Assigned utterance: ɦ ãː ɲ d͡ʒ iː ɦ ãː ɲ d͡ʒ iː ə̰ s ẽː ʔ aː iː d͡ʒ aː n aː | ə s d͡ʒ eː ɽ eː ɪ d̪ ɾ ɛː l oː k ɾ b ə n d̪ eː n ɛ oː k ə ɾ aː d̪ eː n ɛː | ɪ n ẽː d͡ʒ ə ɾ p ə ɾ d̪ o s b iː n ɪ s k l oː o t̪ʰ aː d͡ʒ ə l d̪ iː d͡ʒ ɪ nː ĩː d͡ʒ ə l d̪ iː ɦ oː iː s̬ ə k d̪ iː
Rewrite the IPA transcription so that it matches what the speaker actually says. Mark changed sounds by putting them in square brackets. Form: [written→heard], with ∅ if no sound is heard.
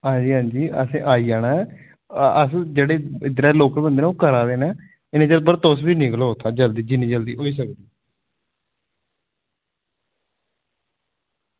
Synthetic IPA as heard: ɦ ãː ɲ d͡ʒ iː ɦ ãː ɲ d͡ʒ iː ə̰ s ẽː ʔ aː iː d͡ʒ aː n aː | ə s d͡ʒ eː ɽ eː ɪ d̪ ɾ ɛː l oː k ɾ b ə n d̪ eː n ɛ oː k ə ɾ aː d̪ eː n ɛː | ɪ n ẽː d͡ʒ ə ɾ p ə ɾ [d̪→t̪] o s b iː n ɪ [s→∅] k l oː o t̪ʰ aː d͡ʒ ə l d̪ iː d͡ʒ ɪ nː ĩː d͡ʒ ə l d̪ iː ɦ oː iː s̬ ə k d̪ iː